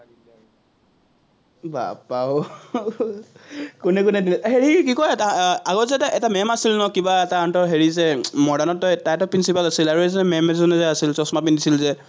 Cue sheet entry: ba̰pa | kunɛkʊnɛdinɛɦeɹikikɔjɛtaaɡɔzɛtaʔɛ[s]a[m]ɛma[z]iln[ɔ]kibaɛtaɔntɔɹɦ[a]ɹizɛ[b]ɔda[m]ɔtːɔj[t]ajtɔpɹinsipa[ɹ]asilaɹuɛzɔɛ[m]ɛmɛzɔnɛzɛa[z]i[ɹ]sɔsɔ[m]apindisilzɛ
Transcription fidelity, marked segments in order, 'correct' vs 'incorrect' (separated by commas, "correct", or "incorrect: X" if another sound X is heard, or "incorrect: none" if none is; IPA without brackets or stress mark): incorrect: t, correct, incorrect: s, correct, incorrect: e, incorrect: m, incorrect: n, correct, incorrect: l, correct, incorrect: s, incorrect: l, correct